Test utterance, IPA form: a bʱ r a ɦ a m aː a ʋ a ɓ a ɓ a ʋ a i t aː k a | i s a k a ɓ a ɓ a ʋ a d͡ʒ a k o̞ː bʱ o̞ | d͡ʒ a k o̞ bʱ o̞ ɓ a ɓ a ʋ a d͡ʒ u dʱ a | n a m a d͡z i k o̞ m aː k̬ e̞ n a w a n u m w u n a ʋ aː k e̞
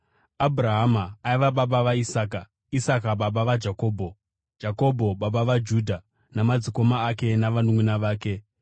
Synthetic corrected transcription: a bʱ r a ɦ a m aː i ʋ a ɓ a ɓ a ʋ a i s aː k a | i s a k a ɓ a ɓ a ʋ a d͡ʒ a k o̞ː bʱ o̞ | d͡ʒ a k o̞ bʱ o̞ ɓ a ɓ a ʋ a d͡ʒ u dʱ a | n a m a d͡z i k o̞ m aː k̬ e̞ n a ʋ a n u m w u n a ʋ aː k e̞